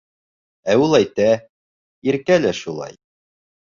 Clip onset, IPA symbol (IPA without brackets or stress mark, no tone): æ